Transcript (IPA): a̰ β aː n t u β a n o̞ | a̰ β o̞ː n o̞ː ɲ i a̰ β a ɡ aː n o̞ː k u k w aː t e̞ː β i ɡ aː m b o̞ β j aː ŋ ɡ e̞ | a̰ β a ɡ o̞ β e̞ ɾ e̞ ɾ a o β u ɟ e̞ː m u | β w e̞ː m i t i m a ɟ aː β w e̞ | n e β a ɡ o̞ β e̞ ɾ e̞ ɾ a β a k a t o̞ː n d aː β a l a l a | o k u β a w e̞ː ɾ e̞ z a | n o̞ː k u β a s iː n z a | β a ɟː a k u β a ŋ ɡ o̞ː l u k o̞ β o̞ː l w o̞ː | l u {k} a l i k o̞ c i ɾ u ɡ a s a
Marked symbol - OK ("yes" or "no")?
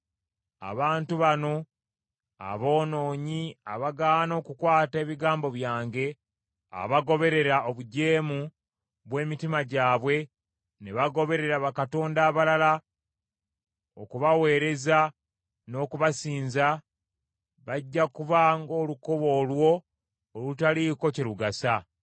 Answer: no